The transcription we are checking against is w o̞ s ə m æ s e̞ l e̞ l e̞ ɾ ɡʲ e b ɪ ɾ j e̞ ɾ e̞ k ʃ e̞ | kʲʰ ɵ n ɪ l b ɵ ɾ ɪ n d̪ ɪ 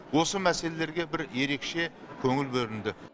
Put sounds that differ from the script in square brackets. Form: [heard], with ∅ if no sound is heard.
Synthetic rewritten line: w o̞ s ə m æ s e̞ l e̞ l e̞ ɾ ɡʲ e b ɪ ɾ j e̞ ɾ e̞ k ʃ e̞ | kʲʰ ɵ [ŋ] ɪ l b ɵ ɾ ɪ n d̪ ɪ